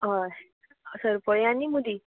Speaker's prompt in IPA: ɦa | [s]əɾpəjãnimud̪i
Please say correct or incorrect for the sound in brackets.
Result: correct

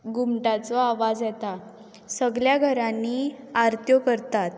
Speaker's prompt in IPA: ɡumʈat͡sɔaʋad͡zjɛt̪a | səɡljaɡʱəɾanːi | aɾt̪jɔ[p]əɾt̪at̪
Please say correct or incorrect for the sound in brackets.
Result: incorrect: k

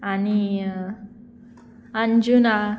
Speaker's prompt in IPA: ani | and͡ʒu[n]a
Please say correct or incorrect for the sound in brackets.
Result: correct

